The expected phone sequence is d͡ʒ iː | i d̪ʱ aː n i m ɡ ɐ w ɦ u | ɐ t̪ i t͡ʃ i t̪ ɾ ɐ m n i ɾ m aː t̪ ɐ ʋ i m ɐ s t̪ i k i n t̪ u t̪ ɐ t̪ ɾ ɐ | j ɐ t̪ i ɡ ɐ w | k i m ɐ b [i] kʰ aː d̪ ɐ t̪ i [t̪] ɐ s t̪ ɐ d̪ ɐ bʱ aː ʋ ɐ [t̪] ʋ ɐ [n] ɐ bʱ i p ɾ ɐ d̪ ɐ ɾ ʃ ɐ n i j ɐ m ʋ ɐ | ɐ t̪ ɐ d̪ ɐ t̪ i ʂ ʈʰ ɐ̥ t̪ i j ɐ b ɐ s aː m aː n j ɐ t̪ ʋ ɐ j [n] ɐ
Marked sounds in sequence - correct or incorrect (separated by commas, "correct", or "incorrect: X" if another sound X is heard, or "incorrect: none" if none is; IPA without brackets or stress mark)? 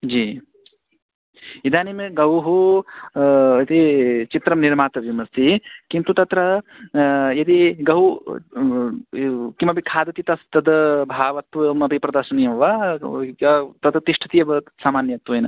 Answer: correct, correct, correct, incorrect: m, correct